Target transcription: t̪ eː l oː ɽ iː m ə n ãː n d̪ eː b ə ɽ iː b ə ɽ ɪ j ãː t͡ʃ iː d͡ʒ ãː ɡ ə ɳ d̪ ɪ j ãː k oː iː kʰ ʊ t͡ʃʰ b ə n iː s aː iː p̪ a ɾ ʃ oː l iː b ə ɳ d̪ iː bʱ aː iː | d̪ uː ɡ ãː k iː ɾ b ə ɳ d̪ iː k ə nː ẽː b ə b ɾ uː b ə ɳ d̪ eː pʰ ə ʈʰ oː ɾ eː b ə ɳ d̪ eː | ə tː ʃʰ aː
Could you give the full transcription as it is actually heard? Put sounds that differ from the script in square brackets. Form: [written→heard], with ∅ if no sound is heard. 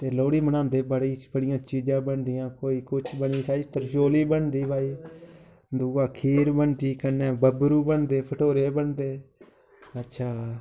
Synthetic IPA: t̪ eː l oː ɽ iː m ə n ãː n d̪ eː b ə ɽ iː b ə ɽ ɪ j ãː t͡ʃ iː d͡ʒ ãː [ɡ→b] ə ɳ d̪ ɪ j ãː k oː iː [kʰ→k] ʊ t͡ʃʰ b ə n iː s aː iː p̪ [a→ə] ɾ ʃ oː l iː b ə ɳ d̪ iː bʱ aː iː | d̪ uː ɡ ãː [k→kʰ] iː ɾ b ə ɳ d̪ iː k ə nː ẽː b ə b ɾ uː b ə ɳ d̪ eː pʰ ə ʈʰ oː ɾ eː b ə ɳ d̪ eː | ə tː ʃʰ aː